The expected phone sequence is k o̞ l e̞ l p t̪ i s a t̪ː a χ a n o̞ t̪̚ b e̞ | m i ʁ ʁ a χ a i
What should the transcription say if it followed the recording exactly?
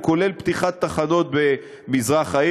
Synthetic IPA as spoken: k o̞ l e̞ l p t̪ i χ a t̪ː a χ a n o̞ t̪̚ b e̞ | m i z ʁ a χ a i